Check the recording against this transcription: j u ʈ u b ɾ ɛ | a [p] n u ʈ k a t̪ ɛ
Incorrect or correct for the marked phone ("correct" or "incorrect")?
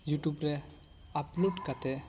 correct